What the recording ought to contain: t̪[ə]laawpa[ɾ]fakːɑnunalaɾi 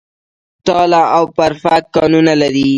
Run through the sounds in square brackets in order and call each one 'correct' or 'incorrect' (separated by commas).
incorrect, correct